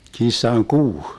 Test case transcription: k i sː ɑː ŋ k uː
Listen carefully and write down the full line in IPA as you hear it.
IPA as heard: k i sː ɑ ŋ k uː